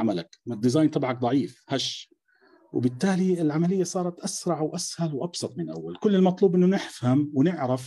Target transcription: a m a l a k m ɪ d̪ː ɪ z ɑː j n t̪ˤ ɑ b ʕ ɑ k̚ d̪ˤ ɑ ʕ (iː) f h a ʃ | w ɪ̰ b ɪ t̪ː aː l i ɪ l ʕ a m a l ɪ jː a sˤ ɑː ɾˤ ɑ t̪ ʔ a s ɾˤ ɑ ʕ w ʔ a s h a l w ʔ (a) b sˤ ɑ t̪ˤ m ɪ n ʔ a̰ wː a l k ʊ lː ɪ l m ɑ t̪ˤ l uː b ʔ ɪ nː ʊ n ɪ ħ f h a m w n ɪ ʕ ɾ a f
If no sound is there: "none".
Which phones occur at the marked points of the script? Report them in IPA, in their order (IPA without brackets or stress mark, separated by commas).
iː, ɑ